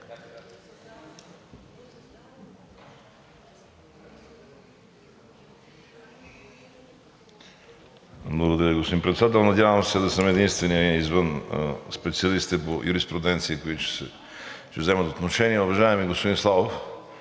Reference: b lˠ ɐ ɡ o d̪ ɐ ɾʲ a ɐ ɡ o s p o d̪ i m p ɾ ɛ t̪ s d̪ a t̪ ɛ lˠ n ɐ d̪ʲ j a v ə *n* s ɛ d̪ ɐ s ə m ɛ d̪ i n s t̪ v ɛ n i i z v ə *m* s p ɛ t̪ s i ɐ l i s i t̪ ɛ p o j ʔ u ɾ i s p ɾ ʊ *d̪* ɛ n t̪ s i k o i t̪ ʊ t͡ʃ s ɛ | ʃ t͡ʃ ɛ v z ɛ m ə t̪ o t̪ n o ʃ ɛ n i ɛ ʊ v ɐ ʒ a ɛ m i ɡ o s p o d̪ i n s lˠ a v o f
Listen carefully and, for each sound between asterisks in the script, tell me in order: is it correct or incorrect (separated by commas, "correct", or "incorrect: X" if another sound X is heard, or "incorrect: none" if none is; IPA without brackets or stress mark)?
incorrect: m, incorrect: n, correct